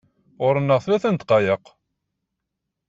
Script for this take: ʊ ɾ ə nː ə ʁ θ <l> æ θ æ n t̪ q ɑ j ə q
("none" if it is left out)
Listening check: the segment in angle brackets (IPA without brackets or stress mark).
l